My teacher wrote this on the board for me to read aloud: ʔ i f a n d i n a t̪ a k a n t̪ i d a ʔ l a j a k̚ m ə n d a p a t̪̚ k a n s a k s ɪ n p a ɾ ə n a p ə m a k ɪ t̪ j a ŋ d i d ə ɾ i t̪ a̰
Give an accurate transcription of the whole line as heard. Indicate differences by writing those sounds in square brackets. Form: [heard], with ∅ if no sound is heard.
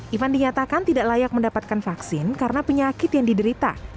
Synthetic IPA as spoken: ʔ i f a n d i [ɲ] a t̪ a k a n t̪ i d a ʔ l a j a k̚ m ə n d a p a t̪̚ k a n [f] a k s ɪ n [k] a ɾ ə n a p ə [ɲ] a k ɪ t̪ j a ŋ d i d ə ɾ i t̪ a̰